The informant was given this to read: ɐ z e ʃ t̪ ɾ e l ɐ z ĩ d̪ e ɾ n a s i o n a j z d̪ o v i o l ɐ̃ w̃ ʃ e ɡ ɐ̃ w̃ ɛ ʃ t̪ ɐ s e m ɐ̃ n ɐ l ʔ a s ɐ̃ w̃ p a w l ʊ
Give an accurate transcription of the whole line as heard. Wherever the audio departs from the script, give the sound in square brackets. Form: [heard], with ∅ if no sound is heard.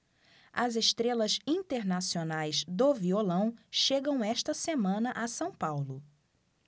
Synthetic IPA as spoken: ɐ z e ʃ t̪ ɾ e l ɐ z ĩ [t̪] e ɾ n a s i o n a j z d̪ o v i o l ɐ̃ w̃ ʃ e ɡ ɐ̃ w̃ ɛ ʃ t̪ ɐ s e m ɐ̃ n ɐ [∅] ʔ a s ɐ̃ w̃ p a w l ʊ

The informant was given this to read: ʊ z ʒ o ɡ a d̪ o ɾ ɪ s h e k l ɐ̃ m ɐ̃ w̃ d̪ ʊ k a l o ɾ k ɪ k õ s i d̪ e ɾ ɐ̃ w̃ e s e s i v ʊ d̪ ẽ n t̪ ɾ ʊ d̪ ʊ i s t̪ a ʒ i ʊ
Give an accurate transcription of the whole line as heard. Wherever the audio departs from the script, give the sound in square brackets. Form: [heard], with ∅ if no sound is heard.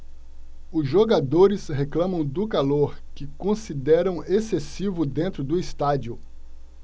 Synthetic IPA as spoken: ʊ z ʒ o ɡ a d̪ o ɾ ɪ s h e k l ɐ̃ m ɐ̃ w̃ d̪ ʊ k a l o ɾ k ɪ k õ s i d̪ [ɛ] ɾ ɐ̃ w̃ e s e s i v ʊ d̪ ẽ n t̪ ɾ ʊ d̪ ʊ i s t̪ a [d͡ʒ] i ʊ

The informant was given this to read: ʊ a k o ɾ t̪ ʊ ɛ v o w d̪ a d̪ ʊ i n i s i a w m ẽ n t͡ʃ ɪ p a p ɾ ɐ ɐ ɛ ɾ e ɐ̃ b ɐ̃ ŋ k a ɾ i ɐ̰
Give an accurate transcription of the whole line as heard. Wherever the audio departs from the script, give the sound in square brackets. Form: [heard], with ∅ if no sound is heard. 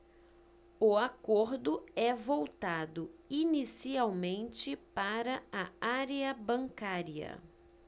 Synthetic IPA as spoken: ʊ a k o ɾ [d̪] ʊ ɛ v o w [t̪] a d̪ ʊ i n i s i a w m ẽ n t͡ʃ ɪ p a [∅] ɾ ɐ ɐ [a] ɾ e [ɐ] b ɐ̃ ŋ k a ɾ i ɐ̰

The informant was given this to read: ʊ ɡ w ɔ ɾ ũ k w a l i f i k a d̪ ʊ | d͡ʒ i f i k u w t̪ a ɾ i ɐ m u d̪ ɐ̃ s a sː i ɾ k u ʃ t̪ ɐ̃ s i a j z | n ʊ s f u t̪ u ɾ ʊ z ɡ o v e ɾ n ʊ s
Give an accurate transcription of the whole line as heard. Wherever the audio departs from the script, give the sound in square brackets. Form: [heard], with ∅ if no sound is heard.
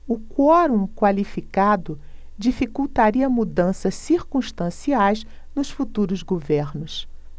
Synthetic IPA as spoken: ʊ [k] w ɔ ɾ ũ k w a l i f i k a d̪ ʊ | d͡ʒ i f i k u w t̪ a ɾ i ɐ m u d̪ ɐ̃ s [ɐ] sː i ɾ k [ũ] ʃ t̪ ɐ̃ s i a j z | n ʊ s f u t̪ u ɾ ʊ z ɡ o v e ɾ n ʊ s

